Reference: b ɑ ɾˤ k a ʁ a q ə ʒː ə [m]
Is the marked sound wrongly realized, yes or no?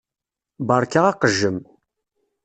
no